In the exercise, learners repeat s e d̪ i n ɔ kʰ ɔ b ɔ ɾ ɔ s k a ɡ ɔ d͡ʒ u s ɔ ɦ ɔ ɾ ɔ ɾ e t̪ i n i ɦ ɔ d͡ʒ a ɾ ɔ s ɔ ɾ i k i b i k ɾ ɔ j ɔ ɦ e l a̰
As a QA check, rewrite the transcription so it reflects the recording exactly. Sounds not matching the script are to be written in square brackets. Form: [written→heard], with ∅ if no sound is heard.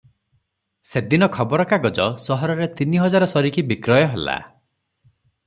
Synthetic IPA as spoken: s e d̪ i n ɔ kʰ ɔ b ɔ ɾ ɔ [s→∅] k a ɡ ɔ d͡ʒ [u→ɔ] s ɔ ɦ ɔ ɾ ɔ ɾ e t̪ i n i ɦ ɔ d͡ʒ a ɾ ɔ s ɔ ɾ i k i b i k ɾ ɔ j ɔ ɦ e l a̰